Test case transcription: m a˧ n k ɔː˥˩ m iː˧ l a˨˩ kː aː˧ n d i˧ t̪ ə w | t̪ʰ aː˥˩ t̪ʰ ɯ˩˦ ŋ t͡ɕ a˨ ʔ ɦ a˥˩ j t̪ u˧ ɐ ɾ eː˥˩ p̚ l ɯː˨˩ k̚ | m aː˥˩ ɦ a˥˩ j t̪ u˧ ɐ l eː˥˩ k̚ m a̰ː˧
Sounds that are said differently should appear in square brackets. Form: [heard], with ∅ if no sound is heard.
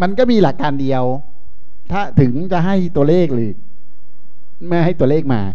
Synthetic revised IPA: m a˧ n k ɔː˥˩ m iː˧ l a˨˩ kː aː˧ n d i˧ [∅] ə w | t̪ʰ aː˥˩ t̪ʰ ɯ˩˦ ŋ t͡ɕ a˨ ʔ ɦ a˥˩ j t̪ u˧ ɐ [l] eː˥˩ [k̚] l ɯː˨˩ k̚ | m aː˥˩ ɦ a˥˩ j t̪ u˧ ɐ l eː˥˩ k̚ m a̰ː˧

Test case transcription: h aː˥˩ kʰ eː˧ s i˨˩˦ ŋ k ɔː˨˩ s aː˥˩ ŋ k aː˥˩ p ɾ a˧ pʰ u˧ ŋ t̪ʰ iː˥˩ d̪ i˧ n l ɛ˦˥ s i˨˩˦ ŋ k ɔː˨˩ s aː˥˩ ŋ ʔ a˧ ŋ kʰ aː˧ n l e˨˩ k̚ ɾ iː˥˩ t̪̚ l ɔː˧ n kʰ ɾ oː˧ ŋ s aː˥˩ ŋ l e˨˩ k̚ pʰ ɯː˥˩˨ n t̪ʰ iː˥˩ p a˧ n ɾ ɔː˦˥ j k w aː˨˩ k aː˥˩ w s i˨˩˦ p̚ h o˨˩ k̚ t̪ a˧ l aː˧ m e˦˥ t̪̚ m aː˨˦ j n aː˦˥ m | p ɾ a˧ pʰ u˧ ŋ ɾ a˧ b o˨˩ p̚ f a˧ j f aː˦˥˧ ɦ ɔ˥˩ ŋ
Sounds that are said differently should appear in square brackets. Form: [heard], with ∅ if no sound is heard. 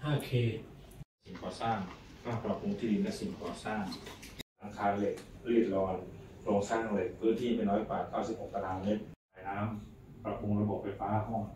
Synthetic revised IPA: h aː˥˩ kʰ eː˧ s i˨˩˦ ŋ k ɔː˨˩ s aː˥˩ ŋ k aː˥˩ p ɾ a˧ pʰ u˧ ŋ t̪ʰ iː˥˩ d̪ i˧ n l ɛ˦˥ s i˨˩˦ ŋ k ɔː˨˩ s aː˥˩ ŋ ʔ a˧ ŋ kʰ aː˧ n l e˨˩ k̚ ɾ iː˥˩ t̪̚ l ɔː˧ n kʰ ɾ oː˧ ŋ s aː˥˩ ŋ l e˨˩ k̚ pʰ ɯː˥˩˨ n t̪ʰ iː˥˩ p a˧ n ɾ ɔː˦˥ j k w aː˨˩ k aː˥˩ w s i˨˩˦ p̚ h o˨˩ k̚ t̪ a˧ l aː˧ m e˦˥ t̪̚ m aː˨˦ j n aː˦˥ m | p ɾ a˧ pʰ u˧ ŋ ɾ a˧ b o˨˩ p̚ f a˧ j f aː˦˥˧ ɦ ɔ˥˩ ŋ

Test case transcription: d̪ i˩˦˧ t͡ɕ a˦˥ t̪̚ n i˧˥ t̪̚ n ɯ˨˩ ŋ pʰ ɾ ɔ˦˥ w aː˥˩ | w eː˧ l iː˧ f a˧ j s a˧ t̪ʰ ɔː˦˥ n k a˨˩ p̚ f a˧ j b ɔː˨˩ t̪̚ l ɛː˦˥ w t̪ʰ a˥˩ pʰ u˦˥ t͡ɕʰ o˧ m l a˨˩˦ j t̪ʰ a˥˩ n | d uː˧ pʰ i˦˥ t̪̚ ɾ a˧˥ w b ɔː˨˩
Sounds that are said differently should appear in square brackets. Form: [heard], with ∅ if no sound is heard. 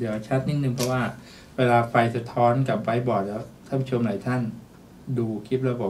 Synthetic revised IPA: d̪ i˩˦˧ [t͡ɕʰ] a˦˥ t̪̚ n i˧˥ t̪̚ n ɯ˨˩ ŋ pʰ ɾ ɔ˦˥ w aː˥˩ | w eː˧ l [aː˧] f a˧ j s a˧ t̪ʰ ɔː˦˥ n k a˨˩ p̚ f a˧ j b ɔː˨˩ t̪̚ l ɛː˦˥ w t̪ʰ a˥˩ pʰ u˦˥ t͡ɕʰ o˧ m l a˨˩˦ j t̪ʰ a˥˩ n | d uː˧ [kʰ] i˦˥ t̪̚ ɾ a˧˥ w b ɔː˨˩

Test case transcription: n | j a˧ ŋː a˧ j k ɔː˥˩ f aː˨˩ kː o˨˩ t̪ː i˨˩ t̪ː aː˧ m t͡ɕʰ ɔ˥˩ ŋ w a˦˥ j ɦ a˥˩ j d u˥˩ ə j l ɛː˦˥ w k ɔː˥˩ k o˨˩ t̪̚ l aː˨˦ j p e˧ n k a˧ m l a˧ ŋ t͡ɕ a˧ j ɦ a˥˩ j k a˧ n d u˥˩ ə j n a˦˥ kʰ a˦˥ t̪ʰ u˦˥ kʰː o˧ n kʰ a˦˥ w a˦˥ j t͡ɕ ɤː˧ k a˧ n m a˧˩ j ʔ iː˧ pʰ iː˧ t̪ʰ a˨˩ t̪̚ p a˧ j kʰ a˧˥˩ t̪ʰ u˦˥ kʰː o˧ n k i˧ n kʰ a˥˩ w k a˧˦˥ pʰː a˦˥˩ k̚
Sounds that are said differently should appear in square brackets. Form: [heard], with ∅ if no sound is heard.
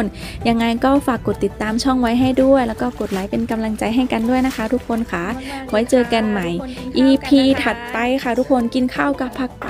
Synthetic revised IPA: n | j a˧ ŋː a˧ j k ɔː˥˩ f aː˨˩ kː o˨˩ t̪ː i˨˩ t̪ː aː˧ m t͡ɕʰ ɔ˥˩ ŋ w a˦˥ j ɦ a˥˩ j d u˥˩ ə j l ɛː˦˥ w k ɔː˥˩ k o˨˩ t̪̚ l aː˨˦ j p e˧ n k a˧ m l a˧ ŋ t͡ɕ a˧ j ɦ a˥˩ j k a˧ n d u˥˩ ə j n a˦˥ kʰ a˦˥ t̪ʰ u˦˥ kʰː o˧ n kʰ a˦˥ w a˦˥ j t͡ɕ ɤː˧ k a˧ n m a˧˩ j ʔ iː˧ pʰ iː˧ t̪ʰ a˨˩ t̪̚ p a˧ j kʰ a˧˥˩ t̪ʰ u˦˥ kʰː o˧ n k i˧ n kʰ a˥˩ w k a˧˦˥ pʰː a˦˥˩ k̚

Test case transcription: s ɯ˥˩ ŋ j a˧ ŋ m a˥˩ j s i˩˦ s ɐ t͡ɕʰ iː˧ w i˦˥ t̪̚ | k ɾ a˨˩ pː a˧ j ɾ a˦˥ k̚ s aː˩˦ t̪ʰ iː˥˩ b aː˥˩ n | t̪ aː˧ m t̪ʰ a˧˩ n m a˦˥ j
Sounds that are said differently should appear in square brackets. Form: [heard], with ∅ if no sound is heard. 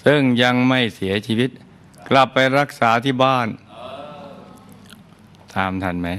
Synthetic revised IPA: s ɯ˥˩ ŋ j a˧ ŋ m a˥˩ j s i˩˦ [∅] ɐ t͡ɕʰ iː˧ w i˦˥ t̪̚ | k [l] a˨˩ pː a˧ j ɾ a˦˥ k̚ s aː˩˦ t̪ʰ iː˥˩ b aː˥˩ n | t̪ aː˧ m t̪ʰ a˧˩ n m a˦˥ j

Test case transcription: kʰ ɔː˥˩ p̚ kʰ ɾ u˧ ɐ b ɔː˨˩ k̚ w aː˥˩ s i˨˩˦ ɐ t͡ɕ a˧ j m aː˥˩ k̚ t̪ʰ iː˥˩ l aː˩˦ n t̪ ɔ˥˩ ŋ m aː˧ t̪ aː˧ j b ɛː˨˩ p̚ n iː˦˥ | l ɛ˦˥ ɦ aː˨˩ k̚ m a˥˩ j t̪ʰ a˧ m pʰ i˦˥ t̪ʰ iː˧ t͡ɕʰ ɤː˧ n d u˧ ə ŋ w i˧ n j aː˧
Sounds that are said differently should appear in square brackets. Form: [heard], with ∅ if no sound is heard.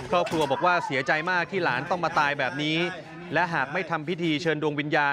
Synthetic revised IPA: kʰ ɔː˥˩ p̚ kʰ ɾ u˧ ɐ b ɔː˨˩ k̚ w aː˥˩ s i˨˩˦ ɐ t͡ɕ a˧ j m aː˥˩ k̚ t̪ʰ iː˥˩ l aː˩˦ n t̪ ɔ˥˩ ŋ m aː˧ t̪ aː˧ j b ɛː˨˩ p̚ n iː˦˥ | l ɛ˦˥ ɦ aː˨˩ k̚ m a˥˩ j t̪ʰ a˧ m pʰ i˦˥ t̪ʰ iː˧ t͡ɕʰ ɤː˧ n d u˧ ə ŋ w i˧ n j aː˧

